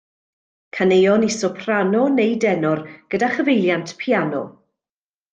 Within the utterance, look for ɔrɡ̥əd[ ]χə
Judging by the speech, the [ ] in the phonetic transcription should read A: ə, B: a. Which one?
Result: B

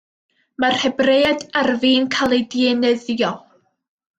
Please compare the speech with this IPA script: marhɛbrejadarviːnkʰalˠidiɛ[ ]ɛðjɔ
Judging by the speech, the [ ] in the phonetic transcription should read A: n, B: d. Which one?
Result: A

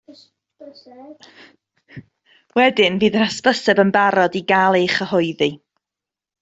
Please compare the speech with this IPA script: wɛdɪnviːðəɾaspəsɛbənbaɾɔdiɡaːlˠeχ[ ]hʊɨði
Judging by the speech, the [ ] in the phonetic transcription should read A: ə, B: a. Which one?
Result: A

